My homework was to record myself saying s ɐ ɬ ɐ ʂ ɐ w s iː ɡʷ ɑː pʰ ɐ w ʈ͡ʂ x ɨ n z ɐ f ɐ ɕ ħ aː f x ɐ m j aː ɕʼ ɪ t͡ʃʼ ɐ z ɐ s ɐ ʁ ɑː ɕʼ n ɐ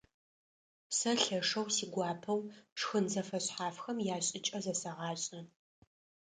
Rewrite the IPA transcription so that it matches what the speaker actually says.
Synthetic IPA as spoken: s ɐ ɬ ɐ ʂ ɐ w s iː ɡʷ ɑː pʰ ɐ w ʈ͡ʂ x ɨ n z ɐ f ɐ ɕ ħ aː f x ɐ m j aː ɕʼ ɪ t͡ʃʼ ɐ z ɐ s ɐ ʁ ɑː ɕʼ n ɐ